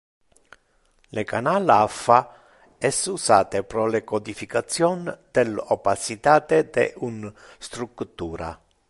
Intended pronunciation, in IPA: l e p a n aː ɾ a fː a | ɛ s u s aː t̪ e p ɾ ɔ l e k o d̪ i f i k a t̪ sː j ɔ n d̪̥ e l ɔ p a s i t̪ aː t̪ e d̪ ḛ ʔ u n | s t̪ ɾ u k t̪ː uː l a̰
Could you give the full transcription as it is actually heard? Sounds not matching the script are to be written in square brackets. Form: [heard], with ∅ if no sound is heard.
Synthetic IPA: l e [k] a n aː [l] a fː a | ɛ s u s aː t̪ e p ɾ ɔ l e k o d̪ i f i k a t̪ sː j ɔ n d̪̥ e l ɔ p a s i t̪ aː t̪ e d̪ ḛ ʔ u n | s t̪ ɾ u k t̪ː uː [ɾ] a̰

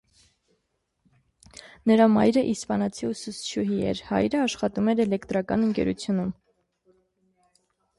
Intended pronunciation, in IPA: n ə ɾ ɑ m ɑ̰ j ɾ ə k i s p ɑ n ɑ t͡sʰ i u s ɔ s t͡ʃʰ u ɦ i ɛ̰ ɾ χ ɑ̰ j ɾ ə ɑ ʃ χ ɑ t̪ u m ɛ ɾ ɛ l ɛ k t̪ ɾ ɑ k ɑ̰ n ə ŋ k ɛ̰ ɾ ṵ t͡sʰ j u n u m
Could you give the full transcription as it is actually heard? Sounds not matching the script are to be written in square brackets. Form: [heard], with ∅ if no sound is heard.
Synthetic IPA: n ə ɾ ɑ m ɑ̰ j ɾ ə [ʔ] i s p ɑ n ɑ t͡sʰ i u s [u] s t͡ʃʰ u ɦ i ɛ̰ ɾ [h] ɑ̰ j ɾ ə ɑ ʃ χ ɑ t̪ u m ɛ ɾ ɛ l ɛ k t̪ ɾ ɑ k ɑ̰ n ə ŋ k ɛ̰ ɾ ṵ t͡sʰ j u n u m

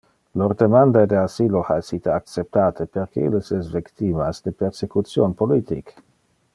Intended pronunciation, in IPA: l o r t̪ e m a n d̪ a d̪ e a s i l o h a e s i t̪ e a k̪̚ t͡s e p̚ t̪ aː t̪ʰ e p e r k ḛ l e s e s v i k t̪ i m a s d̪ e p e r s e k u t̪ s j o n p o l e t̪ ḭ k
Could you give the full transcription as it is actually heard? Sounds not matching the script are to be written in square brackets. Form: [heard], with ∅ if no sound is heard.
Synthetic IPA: l o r [d̪] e m a n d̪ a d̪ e a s i l o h a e s i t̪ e a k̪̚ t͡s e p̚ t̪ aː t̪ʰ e p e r k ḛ l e s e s v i k t̪ i m a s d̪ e p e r s e k u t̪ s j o n p o l [i] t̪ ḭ k

